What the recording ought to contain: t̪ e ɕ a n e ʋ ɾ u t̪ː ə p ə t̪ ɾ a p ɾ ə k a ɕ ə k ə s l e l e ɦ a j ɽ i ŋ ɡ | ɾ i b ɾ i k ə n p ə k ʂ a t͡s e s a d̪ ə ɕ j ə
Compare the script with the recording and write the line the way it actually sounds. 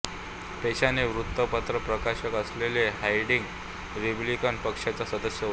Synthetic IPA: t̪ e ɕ a n e ʋ ɾ u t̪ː ə p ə t̪ ɾ ə p ɾ ə k a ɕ ə k ə s l e l e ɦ a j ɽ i ŋ ɡ | ɾ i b l i k ə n p ə k ʂ a t͡s a s ə d̪ ə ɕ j ə